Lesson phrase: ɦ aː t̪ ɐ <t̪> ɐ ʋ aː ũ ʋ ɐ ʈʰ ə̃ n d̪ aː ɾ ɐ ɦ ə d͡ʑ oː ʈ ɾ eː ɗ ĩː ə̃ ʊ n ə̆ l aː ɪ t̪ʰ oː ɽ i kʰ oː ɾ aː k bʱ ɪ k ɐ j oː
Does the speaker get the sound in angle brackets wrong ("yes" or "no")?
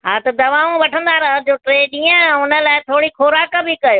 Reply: yes